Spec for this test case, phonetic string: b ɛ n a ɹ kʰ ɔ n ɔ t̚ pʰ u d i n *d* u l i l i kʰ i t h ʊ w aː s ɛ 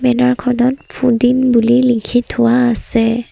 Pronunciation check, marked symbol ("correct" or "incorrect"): incorrect